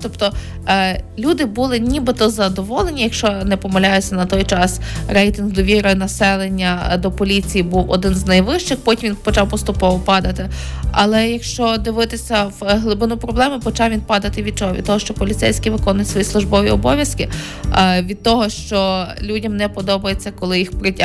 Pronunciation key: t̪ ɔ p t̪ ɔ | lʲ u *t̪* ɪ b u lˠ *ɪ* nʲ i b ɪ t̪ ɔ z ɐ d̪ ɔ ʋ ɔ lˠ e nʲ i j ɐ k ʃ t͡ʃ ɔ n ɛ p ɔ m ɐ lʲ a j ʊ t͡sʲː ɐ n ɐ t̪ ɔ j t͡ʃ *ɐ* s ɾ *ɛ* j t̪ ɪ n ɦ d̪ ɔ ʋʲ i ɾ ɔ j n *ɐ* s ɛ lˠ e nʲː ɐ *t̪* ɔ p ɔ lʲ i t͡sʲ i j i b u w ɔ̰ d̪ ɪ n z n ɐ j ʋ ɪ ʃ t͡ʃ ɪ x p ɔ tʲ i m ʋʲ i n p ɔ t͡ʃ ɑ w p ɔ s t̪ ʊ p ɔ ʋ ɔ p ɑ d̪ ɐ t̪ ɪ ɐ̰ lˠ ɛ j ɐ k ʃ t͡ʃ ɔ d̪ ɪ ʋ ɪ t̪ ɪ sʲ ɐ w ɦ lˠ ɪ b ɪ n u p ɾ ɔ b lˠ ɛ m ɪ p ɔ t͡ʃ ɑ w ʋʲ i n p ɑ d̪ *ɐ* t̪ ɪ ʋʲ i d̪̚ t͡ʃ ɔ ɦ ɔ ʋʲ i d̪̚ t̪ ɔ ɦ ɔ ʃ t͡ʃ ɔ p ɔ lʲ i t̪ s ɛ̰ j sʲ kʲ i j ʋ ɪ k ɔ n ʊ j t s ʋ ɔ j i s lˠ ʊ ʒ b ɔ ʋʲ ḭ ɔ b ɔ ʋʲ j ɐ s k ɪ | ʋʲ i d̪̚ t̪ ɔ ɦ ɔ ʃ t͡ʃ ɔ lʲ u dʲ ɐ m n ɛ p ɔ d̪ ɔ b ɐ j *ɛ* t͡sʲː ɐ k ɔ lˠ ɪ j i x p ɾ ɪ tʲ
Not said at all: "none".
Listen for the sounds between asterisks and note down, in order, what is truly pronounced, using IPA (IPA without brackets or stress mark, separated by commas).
d̪, ɪ, ɑ, ɛ, ɐ, d̪, ɐ, e